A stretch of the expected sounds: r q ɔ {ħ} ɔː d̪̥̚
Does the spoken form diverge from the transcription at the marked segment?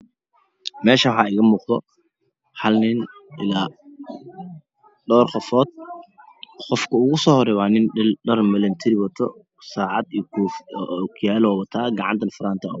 yes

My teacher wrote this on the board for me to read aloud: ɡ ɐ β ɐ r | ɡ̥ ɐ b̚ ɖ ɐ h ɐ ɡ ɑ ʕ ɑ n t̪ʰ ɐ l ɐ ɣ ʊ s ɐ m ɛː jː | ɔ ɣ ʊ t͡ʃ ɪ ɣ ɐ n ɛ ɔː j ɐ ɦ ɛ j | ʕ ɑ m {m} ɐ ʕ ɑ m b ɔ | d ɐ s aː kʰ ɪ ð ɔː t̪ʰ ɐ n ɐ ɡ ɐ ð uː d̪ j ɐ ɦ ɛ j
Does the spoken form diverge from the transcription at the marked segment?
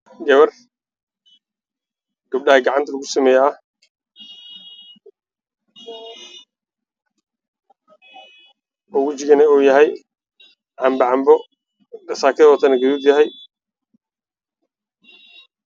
yes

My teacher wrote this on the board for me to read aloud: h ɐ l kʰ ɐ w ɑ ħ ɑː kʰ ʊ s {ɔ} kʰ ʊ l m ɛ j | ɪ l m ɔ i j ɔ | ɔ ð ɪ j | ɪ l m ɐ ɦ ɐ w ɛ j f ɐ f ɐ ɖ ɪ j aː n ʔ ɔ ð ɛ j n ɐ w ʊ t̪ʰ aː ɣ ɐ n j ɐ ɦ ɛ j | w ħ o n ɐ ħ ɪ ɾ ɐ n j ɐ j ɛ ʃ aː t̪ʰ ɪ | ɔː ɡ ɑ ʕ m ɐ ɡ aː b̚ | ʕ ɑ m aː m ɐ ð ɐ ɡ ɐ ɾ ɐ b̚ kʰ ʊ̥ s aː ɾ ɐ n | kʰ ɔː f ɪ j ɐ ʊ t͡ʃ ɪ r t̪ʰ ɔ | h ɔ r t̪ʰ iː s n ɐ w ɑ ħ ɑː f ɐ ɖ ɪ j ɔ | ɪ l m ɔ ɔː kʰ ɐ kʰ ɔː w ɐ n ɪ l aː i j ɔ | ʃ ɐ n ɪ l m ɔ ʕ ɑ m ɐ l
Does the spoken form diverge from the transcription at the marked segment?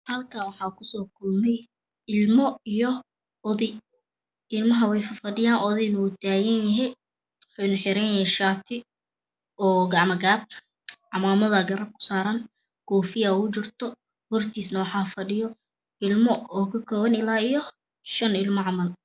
yes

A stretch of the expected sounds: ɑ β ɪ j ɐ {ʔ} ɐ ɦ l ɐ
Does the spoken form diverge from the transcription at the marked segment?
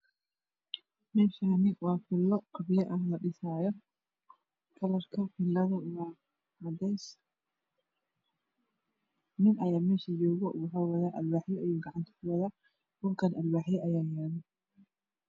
no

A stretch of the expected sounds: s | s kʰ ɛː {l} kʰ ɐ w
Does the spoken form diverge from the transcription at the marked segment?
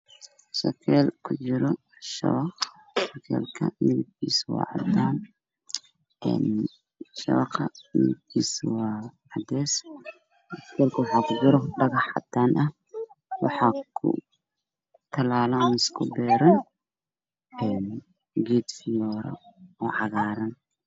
no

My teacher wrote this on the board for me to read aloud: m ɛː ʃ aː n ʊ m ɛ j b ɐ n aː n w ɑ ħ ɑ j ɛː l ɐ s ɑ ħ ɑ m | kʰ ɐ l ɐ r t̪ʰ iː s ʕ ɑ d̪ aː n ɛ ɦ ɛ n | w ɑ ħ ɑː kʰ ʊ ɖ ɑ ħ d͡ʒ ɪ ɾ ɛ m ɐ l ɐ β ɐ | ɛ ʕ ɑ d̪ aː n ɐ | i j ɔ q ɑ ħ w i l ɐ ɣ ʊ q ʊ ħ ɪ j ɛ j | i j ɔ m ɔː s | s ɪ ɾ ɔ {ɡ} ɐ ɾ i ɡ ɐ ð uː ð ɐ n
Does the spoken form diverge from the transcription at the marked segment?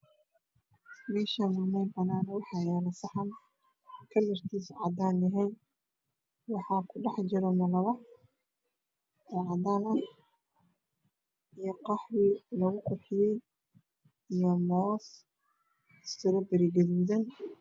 yes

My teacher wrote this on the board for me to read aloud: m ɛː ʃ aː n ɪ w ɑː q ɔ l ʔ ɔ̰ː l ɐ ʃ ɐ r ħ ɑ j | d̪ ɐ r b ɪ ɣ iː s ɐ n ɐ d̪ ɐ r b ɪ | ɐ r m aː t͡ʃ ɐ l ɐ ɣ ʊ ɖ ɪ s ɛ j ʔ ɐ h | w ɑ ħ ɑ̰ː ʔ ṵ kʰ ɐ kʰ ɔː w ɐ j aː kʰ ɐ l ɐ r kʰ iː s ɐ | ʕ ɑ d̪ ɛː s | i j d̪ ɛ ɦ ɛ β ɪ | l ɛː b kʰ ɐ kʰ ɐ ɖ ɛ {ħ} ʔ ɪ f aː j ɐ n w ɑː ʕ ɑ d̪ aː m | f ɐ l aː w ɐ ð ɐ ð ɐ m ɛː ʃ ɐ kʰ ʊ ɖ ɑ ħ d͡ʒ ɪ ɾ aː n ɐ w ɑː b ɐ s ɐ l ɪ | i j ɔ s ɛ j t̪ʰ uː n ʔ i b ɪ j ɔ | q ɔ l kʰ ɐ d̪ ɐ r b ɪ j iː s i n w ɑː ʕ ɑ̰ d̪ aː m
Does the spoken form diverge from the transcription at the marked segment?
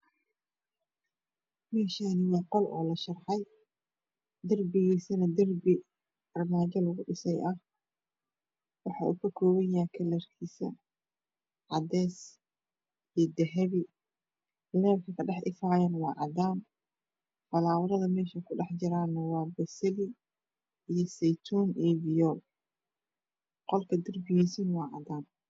no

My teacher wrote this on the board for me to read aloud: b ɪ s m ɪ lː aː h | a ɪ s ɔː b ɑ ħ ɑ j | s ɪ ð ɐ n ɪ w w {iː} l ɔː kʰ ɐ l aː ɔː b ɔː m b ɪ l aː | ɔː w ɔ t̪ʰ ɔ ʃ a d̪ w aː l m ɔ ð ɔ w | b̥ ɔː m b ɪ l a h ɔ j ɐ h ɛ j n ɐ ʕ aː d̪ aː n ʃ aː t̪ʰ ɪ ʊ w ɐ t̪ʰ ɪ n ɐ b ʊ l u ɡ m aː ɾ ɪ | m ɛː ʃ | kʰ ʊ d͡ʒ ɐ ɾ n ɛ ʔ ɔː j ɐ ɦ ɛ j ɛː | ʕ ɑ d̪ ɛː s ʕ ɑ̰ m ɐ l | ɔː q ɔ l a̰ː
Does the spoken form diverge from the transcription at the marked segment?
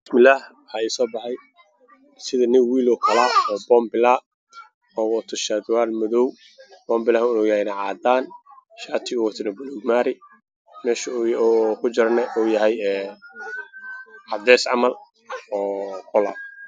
no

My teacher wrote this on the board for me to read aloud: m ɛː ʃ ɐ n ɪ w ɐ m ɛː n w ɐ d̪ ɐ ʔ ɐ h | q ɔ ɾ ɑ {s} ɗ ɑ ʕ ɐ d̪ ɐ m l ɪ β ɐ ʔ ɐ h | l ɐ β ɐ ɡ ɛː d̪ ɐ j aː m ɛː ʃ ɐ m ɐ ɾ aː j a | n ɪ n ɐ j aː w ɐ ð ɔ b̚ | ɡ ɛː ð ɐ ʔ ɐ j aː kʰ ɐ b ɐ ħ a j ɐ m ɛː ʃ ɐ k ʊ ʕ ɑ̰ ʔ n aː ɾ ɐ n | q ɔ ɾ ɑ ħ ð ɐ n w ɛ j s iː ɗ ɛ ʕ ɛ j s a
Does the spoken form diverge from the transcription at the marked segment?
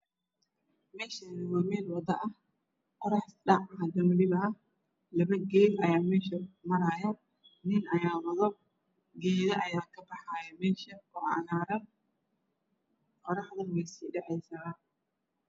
yes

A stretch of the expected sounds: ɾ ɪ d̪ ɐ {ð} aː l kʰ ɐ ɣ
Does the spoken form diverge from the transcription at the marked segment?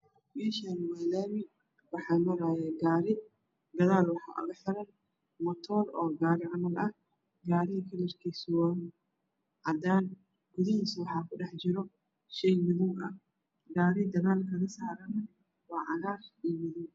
yes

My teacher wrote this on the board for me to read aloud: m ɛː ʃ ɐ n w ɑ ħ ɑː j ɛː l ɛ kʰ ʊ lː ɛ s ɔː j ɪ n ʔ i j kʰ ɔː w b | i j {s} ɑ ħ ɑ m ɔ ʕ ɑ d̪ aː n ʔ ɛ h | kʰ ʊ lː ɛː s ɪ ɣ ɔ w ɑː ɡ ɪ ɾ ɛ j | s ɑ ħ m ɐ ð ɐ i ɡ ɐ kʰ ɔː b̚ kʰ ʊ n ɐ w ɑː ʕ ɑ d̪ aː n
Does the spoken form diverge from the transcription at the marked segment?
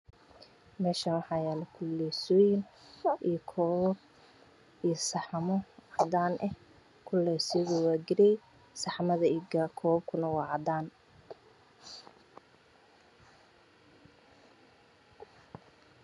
no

